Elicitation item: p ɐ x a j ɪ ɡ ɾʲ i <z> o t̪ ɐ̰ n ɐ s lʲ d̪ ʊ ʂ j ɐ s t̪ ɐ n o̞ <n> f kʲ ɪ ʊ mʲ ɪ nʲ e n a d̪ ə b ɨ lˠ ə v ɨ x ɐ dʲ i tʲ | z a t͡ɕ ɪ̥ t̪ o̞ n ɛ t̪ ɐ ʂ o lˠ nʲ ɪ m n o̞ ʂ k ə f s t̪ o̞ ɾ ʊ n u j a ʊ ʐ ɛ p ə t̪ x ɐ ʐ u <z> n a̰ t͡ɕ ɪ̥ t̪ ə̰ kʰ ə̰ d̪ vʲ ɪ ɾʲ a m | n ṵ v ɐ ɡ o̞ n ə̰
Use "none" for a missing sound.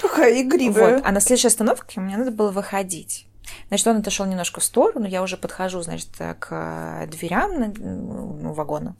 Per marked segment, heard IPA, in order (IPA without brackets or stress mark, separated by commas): v, none, z